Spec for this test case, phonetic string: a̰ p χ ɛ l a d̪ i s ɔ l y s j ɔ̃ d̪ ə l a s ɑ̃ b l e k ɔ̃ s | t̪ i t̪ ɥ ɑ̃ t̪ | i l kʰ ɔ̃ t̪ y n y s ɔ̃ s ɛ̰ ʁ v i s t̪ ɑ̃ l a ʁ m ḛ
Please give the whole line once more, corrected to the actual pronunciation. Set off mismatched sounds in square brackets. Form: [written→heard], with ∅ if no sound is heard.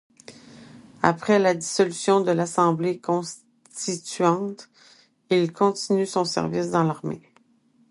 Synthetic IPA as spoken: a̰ p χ ɛ l a d̪ i s ɔ l y s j ɔ̃ d̪ ə l a s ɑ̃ b l e k ɔ̃ s | t̪ i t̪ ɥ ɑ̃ t̪ | i l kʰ ɔ̃ t̪ [y→i] n y s ɔ̃ s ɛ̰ ʁ v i s [t̪→d̪] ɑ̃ l a ʁ m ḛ